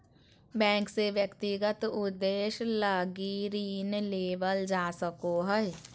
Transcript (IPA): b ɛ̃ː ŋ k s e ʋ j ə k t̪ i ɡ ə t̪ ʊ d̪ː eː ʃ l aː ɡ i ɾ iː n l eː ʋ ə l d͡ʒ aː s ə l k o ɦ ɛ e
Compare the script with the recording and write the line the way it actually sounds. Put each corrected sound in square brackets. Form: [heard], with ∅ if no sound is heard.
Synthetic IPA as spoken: b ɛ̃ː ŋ k s e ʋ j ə k t̪ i ɡ ə t̪ ʊ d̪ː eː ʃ l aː ɡ i ɾ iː n l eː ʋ ə l d͡ʒ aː s ə [∅] k o ɦ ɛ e